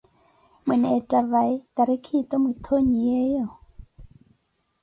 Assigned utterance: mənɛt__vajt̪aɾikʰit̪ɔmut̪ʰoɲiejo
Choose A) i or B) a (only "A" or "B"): B